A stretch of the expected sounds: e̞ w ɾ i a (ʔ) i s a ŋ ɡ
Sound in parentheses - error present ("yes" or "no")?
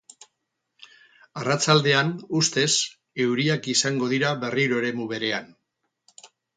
yes